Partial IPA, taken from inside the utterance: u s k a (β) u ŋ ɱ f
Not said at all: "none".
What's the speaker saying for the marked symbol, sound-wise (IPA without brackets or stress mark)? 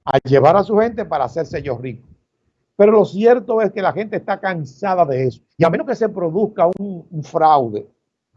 none